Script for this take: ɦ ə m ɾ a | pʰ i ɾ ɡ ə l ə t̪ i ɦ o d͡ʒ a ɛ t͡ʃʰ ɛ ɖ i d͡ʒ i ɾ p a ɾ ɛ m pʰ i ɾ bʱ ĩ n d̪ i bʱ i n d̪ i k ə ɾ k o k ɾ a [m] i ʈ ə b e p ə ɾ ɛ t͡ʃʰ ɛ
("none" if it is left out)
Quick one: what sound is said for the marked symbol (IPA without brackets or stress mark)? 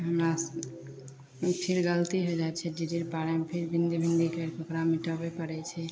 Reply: m